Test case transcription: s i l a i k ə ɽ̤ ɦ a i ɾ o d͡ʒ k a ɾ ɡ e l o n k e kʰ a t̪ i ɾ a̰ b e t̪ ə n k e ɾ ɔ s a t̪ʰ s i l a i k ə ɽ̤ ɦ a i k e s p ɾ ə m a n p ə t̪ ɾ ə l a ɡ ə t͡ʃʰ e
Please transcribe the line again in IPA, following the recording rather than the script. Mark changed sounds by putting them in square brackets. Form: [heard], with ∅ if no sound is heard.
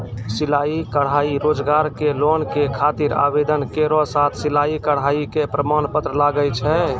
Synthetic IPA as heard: s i l a i k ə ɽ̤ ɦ a i ɾ o d͡ʒ [ɡ] a ɾ [k] e l o n k e kʰ a t̪ i ɾ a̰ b e [d̪] ə n k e ɾ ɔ s a t̪ʰ s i l a i k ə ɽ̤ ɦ a i k e [∅] p ɾ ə m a n p ə t̪ ɾ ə l a ɡ ə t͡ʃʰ [ɛ]